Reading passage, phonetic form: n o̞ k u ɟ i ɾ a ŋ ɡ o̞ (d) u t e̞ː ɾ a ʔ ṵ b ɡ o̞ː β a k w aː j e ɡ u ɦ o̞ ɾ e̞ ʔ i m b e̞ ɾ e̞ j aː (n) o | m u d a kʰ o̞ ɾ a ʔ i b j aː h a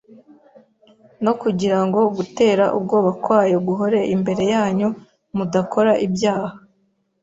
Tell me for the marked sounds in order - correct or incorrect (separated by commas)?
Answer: incorrect, incorrect